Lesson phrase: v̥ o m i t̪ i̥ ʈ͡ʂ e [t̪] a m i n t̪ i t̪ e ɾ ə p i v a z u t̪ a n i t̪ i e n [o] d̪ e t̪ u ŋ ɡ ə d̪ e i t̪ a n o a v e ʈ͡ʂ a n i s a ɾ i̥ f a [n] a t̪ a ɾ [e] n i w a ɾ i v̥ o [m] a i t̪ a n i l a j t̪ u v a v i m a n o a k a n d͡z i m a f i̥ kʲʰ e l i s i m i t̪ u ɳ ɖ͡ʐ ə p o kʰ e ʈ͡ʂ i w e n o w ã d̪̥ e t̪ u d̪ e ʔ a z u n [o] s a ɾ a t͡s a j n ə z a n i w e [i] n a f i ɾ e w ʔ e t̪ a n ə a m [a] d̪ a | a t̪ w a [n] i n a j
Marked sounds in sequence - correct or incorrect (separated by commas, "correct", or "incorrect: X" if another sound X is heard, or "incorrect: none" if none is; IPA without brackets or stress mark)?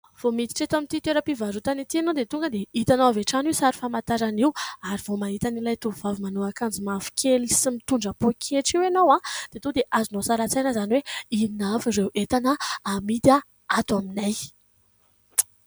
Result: correct, correct, incorrect: m, incorrect: a, correct, correct, correct, incorrect: i, incorrect: m